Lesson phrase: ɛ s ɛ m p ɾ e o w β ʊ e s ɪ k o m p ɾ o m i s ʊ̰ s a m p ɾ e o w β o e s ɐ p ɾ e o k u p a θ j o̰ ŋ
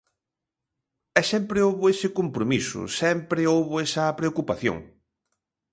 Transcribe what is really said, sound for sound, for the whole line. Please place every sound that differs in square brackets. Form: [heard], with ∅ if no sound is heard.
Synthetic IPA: ɛ s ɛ m p ɾ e o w β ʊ e s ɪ k o m p ɾ o m i s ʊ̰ s [ɛ] m p ɾ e o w β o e s ɐ p ɾ e o k u p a θ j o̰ ŋ